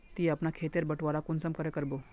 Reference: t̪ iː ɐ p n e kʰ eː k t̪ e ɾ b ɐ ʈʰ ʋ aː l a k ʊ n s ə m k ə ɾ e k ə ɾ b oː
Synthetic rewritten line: t̪ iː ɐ p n a kʰ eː t̪ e ɾ b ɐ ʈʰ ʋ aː ɾ a k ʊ n s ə m k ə ɾ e k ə ɾ b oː